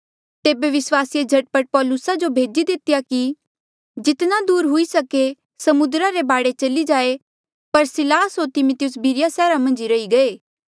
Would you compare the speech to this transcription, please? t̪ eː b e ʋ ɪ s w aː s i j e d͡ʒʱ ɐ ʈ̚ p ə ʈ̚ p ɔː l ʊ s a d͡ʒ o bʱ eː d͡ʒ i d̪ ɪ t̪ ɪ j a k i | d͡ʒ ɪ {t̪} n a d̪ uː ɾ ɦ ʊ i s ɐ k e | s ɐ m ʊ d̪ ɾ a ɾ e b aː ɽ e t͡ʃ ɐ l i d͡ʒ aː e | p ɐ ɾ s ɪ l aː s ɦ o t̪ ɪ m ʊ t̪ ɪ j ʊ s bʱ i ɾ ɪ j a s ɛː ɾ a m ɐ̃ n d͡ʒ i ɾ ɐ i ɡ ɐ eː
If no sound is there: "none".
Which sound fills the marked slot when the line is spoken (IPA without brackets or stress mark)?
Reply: t̪